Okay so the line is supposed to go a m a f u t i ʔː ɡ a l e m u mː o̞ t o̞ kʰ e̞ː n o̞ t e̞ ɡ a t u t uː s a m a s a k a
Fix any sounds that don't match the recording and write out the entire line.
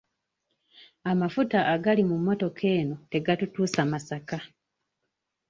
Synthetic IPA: a m a f u t a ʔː ɡ a l i m u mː o̞ t o̞ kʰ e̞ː n o̞ t e̞ ɡ a t u t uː s a m a s a k a